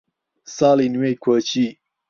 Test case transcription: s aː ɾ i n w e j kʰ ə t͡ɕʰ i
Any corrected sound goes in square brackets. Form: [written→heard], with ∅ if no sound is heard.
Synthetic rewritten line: s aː [ɾ→l] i n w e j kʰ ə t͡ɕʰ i